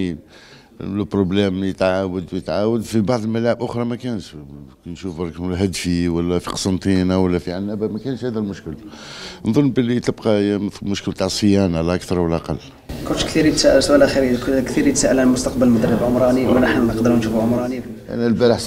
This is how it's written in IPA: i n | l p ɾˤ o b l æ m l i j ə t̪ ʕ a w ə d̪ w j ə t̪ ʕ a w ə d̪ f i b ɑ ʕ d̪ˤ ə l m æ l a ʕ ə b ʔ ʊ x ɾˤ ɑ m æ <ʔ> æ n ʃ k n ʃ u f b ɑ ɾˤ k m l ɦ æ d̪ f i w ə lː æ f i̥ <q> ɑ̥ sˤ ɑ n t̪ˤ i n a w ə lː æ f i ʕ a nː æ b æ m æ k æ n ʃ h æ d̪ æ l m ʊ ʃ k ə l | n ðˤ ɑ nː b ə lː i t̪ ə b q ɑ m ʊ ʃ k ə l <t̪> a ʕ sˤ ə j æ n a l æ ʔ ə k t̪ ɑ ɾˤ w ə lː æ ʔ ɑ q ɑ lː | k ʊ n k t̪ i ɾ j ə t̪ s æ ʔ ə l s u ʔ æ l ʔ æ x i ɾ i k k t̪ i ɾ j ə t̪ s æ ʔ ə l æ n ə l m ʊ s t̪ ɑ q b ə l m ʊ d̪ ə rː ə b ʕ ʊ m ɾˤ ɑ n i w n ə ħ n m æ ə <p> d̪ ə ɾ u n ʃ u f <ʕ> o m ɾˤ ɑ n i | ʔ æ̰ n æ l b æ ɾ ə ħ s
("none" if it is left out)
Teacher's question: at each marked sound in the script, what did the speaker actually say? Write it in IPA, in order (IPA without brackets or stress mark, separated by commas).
k, q, t̪, q, ʕ